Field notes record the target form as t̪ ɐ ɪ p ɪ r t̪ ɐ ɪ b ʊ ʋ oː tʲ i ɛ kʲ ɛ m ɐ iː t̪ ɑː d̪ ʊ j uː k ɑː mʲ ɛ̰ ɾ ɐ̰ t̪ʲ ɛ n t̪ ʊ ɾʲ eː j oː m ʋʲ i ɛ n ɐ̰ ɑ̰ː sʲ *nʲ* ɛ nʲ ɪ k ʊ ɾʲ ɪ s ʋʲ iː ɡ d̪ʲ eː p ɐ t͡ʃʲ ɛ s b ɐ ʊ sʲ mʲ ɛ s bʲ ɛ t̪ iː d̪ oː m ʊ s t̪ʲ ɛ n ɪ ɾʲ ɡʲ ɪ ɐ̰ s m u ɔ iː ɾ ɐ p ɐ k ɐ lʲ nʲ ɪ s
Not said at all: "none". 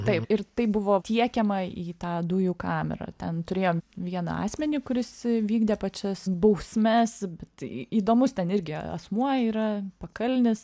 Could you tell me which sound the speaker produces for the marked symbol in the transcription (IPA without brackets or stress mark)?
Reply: mʲ